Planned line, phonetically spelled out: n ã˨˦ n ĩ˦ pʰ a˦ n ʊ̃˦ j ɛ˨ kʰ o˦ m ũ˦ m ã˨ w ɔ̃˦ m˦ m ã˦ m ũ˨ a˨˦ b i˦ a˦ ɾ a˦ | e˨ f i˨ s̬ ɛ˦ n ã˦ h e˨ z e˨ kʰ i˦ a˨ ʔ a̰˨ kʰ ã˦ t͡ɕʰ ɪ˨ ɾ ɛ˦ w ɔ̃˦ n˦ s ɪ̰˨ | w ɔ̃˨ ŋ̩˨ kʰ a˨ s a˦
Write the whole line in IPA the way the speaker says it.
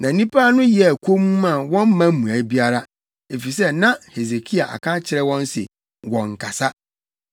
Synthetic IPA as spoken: n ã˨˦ n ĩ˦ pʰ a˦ n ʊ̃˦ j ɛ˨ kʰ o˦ m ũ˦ m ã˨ w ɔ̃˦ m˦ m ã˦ m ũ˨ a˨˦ b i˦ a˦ ɾ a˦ | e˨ f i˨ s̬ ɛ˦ n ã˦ h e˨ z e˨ kʰ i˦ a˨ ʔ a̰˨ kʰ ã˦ t͡ɕʰ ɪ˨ ɾ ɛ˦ w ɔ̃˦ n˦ s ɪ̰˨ | w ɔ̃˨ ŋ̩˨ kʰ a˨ s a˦